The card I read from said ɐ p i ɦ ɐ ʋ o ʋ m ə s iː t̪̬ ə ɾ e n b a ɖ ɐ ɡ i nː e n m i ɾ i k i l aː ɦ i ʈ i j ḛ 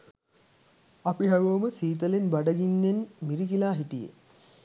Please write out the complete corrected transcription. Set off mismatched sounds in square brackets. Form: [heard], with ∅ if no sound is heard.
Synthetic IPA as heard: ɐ p i ɦ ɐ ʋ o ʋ m ə s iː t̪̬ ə [l] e n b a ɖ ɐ ɡ i nː e n m i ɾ i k i l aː ɦ i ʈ i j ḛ

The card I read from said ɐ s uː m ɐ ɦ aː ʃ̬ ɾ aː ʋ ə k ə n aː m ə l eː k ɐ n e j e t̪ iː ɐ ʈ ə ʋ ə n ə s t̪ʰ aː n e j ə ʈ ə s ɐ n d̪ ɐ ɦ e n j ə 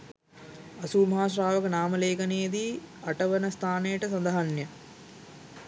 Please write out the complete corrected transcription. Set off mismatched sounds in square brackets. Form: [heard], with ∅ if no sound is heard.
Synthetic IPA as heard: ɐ s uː m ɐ ɦ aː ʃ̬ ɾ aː ʋ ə k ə n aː m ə l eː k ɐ n e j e [d̪] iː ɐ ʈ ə ʋ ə n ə s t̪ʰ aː n e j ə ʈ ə s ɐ n d̪ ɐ ɦ [a] n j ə

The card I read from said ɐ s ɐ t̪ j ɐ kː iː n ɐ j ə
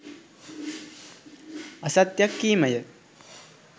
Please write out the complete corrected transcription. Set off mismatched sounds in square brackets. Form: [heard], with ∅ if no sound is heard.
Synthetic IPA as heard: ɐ s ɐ t̪ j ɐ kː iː [m] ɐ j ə

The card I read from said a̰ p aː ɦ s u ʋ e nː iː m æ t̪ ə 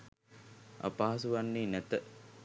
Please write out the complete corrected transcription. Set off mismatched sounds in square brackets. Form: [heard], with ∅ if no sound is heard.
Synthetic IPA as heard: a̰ p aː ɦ s u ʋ [a] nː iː [n] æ t̪ ə

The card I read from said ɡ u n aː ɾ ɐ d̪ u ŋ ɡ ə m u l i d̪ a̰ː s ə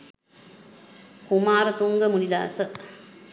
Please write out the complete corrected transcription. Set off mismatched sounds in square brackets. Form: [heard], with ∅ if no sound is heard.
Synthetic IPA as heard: [k] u [m] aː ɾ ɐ [t̪] u ŋ ɡ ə m u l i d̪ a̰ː s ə

